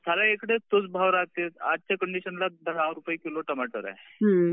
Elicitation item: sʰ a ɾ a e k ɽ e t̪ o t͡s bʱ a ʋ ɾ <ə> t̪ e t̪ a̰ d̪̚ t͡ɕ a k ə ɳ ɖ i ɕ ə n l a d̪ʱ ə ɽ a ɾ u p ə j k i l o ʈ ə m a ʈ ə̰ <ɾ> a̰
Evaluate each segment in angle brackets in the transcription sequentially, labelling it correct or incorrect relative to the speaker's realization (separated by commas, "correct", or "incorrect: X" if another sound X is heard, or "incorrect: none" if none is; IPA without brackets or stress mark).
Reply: incorrect: a, correct